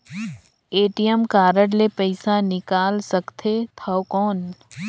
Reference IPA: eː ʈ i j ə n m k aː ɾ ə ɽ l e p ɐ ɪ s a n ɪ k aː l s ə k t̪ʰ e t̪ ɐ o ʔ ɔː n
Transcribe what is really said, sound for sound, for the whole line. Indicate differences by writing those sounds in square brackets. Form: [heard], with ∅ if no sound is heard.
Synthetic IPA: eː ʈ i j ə [∅] m k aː ɾ ə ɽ l e p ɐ ɪ s a n ɪ k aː l s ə k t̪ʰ e [t̪ʰ] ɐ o [k] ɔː n